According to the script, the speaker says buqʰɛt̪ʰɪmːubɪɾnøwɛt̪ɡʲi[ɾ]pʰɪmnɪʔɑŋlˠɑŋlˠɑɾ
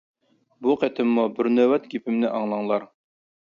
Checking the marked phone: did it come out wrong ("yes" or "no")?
yes